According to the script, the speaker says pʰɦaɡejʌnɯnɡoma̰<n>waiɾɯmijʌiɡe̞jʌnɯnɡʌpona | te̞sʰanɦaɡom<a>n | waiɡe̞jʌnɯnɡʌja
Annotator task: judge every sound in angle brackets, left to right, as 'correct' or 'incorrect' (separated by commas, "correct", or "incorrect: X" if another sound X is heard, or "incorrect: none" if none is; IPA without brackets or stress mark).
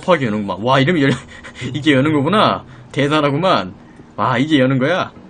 correct, correct